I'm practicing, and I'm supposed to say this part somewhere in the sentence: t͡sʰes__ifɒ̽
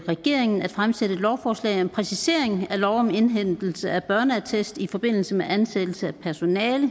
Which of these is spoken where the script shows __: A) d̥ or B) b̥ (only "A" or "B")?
A